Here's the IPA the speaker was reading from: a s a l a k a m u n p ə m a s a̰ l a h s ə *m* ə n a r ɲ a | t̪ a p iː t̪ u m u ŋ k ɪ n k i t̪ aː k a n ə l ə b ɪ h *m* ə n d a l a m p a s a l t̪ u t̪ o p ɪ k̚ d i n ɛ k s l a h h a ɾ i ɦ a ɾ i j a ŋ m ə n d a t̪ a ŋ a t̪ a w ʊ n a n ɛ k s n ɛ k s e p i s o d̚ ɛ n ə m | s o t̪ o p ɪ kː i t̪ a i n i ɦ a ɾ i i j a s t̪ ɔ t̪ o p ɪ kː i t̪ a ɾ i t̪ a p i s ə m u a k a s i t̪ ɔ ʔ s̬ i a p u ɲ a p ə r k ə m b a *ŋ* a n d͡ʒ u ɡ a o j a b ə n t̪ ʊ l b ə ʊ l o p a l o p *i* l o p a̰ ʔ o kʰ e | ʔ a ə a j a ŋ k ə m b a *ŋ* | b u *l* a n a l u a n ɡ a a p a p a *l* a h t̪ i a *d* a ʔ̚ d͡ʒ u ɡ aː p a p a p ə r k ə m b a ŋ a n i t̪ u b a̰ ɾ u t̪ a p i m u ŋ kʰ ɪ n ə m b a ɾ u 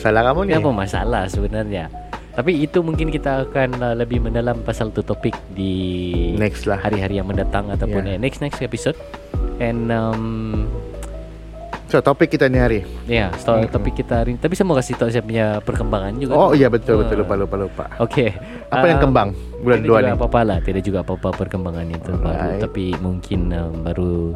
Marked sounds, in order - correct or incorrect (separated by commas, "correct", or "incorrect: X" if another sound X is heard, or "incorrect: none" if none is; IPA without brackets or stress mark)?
incorrect: b, correct, correct, incorrect: a, correct, correct, correct, correct